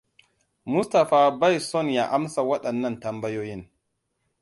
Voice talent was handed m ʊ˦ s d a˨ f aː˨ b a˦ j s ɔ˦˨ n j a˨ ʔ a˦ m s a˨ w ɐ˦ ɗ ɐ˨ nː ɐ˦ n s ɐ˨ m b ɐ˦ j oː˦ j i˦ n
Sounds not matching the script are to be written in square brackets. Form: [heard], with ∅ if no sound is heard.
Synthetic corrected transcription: m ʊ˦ s [t] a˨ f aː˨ b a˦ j s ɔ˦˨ n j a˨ ʔ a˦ m s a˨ w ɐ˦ ɗ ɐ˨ nː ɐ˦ n [t] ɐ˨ m b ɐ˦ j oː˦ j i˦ n